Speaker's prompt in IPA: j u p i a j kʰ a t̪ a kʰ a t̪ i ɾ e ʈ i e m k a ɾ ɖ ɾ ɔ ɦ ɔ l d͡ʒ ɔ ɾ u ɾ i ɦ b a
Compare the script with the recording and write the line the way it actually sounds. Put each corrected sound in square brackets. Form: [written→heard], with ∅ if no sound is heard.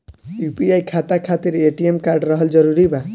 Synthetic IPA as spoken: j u p i a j kʰ a t̪ a kʰ a t̪ i ɾ e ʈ i e m k a ɾ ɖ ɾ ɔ ɦ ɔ l d͡ʒ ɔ ɾ u ɾ i [ɦ→∅] b a